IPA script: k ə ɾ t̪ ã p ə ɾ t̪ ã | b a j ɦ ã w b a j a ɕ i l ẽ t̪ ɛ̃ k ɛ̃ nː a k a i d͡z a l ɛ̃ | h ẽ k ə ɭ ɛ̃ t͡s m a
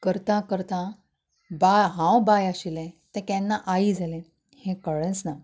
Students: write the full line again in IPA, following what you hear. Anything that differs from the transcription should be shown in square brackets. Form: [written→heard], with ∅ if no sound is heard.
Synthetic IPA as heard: k ə ɾ t̪ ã [p→k] ə ɾ t̪ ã | b a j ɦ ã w b a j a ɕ i l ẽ t̪ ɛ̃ k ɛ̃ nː a [k→ʔ] a i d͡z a l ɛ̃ | h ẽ k ə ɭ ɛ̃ t͡s [m→n] a

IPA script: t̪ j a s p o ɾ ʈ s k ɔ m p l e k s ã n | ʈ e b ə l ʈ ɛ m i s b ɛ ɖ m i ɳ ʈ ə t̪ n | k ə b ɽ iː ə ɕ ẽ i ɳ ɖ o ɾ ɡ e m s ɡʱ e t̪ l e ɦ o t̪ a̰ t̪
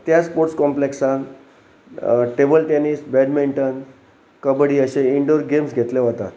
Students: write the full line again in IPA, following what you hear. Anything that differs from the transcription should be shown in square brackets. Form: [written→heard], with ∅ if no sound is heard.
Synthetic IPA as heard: t̪ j a s p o ɾ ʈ s k ɔ m p l e k s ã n | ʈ e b ə l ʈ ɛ [m→n] i s b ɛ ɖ m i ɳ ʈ ə [t̪→∅] n | k ə b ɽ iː ə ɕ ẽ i ɳ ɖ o ɾ ɡ e m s ɡʱ e t̪ l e ɦ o t̪ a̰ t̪

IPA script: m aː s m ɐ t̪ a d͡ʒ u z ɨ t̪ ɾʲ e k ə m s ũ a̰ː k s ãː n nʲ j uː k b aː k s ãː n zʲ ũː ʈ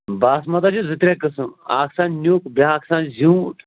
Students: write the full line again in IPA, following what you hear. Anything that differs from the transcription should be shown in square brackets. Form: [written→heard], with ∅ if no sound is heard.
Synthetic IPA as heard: [m→b] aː s m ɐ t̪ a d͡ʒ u z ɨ t̪ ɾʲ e k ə [m→∅] s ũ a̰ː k s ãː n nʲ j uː k b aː k s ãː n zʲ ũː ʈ

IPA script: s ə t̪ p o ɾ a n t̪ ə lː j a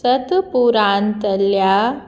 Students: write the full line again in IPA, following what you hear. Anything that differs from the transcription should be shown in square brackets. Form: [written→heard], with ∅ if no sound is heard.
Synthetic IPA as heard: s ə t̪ p [o→u] ɾ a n t̪ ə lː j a

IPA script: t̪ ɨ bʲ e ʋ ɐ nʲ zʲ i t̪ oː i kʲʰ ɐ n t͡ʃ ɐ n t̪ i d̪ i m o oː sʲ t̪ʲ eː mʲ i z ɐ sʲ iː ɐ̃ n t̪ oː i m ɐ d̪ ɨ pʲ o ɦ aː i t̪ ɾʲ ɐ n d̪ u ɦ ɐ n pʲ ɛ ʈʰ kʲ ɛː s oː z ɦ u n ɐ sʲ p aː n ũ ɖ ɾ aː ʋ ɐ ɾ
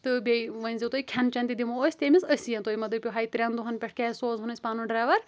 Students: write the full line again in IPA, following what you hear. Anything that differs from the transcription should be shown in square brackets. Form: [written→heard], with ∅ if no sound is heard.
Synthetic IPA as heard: t̪ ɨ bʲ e ʋ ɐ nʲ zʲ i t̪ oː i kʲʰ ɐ n t͡ʃ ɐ n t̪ i d̪ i m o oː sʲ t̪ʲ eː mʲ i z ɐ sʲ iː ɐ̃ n t̪ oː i m ɐ d̪ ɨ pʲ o ɦ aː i t̪ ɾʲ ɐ n d̪ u ɦ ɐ n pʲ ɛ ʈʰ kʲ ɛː s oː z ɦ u n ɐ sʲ p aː n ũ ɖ ɾ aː ʋ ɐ ɾ

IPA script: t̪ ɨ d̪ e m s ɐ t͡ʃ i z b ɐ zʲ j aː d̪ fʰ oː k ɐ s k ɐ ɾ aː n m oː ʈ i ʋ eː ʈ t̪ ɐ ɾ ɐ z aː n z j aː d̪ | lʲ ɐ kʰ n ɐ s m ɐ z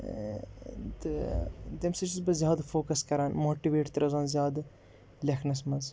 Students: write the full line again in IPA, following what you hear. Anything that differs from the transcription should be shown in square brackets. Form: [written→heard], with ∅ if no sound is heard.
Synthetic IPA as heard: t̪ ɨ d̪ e m s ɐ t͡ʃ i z b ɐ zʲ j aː d̪ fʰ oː k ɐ s k ɐ ɾ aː n m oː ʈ i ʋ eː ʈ t̪ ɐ ɾ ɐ z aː n z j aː d̪ | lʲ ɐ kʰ n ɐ s m ɐ z

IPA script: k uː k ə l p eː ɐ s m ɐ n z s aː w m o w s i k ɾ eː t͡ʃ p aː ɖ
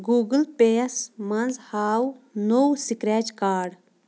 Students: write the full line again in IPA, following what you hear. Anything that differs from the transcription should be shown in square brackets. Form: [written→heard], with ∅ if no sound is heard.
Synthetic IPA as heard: [k→ɡ] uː [k→ɡ] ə l p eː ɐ s m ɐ n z [s→h] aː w [m→n] o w s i k ɾ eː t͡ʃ [p→k] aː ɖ

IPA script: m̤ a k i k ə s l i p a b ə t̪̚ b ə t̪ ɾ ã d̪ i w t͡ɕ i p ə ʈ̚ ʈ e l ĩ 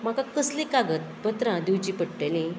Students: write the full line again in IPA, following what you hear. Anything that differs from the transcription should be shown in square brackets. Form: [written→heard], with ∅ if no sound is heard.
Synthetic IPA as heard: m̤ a k [i→a] k ə s l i [p→k] a [b→ɡ] ə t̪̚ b ə t̪ ɾ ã d̪ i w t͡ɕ i p ə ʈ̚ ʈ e l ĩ

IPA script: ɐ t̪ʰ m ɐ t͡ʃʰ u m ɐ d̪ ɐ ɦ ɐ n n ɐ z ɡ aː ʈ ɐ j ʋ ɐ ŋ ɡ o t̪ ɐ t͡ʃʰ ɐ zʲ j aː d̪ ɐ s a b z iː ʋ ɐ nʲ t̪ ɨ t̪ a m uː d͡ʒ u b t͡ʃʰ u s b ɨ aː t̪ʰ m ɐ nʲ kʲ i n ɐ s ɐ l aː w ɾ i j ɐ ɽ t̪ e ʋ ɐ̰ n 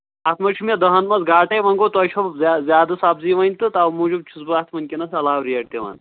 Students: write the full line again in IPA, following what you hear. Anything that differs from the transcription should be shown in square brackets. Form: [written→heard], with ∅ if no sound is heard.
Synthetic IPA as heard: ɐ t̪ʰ m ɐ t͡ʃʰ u m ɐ d̪ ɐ ɦ ɐ n [n→m] ɐ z ɡ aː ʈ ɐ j ʋ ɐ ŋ ɡ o t̪ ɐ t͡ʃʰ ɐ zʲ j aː d̪ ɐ s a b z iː ʋ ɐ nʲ t̪ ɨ t̪ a m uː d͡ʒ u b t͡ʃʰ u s b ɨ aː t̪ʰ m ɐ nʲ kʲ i n ɐ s ɐ l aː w ɾ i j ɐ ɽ t̪ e ʋ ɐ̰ n

